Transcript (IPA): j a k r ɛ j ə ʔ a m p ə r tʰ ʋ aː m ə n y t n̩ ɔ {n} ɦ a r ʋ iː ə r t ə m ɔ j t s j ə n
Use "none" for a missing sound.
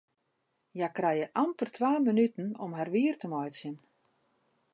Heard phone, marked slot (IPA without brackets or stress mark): m